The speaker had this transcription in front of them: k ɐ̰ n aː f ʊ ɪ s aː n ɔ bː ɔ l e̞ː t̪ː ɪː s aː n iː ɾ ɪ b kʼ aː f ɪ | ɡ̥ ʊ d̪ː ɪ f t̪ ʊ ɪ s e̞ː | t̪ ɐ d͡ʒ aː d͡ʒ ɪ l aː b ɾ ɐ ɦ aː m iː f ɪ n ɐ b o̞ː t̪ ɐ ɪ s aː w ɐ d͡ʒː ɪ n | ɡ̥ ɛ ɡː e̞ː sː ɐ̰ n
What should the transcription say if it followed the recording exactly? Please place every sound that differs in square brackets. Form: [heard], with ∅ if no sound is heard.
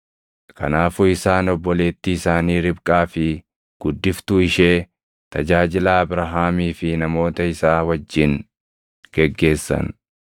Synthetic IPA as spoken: k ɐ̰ n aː f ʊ ɪ s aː n ɔ bː ɔ l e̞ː t̪ː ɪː s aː n iː ɾ ɪ b kʼ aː f ɪ | ɡ̥ ʊ d̪ː ɪ f t̪ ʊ ɪ [ʃ] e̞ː | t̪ ɐ d͡ʒ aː d͡ʒ ɪ l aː b ɾ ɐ ɦ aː m iː f ɪ n ɐ [m] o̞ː t̪ ɐ ɪ s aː w ɐ d͡ʒː ɪ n | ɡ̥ ɛ ɡː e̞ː sː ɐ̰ n